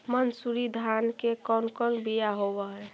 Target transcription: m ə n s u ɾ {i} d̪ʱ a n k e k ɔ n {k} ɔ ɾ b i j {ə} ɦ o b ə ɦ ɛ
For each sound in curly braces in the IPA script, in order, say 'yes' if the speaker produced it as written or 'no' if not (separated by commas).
yes, yes, no